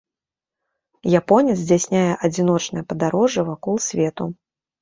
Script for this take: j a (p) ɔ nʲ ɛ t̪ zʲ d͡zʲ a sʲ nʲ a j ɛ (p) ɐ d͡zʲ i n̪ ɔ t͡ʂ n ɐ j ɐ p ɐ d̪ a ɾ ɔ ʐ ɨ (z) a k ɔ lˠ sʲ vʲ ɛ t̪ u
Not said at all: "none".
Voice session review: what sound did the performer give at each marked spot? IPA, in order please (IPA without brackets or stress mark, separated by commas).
p, ʔ, v